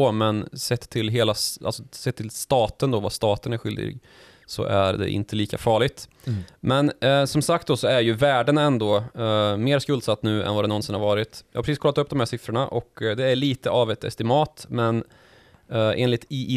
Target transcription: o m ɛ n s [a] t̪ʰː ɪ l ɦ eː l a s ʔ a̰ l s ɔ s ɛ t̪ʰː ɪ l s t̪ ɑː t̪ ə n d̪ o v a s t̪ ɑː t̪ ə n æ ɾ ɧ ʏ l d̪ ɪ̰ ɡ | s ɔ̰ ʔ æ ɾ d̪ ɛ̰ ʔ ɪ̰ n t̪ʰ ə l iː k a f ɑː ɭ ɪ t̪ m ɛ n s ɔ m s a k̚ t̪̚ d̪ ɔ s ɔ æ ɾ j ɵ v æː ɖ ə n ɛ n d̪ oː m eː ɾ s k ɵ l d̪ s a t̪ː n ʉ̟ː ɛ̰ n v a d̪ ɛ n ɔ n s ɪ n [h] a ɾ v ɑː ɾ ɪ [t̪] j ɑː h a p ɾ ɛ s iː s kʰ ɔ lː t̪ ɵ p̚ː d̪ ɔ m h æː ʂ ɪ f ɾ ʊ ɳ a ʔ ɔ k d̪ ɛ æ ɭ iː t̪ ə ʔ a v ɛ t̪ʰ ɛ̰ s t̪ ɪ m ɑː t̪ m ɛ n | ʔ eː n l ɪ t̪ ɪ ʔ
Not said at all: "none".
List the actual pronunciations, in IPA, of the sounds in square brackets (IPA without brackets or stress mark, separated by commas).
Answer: ɛ, h, t̪